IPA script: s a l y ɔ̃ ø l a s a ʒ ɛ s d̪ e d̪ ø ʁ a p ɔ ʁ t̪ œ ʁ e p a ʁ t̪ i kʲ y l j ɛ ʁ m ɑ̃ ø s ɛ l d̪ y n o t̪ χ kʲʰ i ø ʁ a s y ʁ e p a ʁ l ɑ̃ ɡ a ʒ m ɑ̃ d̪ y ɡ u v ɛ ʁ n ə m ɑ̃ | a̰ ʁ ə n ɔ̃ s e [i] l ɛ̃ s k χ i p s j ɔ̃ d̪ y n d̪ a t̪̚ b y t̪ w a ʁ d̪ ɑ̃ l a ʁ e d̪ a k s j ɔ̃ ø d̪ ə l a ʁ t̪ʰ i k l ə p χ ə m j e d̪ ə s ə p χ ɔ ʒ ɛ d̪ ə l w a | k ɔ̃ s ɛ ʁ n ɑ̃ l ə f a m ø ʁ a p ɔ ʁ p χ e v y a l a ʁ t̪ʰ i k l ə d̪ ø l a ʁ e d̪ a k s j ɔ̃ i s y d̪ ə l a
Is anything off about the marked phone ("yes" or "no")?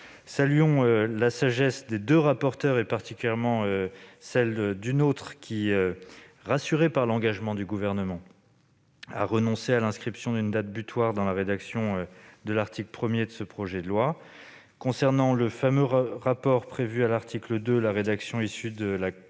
yes